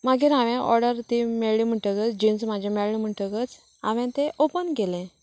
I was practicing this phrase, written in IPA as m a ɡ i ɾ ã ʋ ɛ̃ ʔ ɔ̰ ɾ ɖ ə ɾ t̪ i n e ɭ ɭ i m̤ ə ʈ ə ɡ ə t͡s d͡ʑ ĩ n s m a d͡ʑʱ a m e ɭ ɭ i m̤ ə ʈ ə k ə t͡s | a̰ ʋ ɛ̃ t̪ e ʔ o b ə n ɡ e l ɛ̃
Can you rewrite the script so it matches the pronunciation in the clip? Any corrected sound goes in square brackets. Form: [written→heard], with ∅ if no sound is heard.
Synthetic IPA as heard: m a ɡ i ɾ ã ʋ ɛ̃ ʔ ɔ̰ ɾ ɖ ə ɾ t̪ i [n→m] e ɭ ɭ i m̤ ə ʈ ə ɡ ə t͡s d͡ʑ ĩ n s m a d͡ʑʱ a m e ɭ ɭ i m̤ ə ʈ ə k ə t͡s | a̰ ʋ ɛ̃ t̪ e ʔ o [b→p] ə n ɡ e l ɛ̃